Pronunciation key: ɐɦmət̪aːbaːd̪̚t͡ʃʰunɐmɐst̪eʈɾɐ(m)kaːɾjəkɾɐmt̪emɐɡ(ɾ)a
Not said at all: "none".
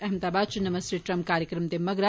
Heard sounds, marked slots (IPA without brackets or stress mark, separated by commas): m, ɾ